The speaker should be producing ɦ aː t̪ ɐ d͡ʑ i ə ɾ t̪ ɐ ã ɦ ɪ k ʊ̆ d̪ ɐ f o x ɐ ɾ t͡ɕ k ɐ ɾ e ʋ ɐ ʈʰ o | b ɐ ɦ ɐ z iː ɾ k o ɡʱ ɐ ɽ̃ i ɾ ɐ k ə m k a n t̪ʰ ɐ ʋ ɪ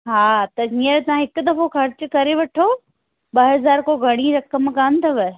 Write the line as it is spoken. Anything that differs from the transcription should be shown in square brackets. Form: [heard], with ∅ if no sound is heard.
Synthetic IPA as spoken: ɦ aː t̪ ɐ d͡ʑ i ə ɾ t̪ ɐ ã ɦ ɪ k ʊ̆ d̪ ɐ f o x ɐ ɾ t͡ɕ k ɐ ɾ e ʋ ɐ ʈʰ o | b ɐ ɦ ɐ z [aː] ɾ k o ɡʱ ɐ ɽ̃ i ɾ ɐ k ə m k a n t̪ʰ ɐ ʋ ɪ